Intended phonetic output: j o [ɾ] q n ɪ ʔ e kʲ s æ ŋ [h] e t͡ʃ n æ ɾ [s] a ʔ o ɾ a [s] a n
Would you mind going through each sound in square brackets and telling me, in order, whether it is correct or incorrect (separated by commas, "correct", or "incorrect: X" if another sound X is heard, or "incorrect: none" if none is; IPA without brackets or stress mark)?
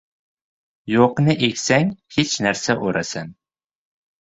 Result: incorrect: none, correct, correct, correct